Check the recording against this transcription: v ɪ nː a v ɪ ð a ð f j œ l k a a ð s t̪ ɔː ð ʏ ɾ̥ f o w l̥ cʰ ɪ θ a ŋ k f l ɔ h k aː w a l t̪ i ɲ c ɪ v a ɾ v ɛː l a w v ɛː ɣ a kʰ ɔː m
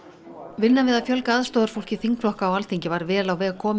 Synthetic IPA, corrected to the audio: v ɪ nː a v ɪ ð a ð f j œ l k a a ð s t̪ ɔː ð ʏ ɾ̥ f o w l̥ c ɪ θ i ŋ k f l ɔ h k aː w a l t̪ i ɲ c ɪ v a ɾ v ɛː l a w v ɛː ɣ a kʰ ɔː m